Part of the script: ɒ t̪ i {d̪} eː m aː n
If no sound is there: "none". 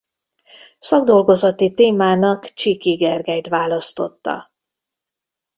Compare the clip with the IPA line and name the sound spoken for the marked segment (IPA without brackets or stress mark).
t̪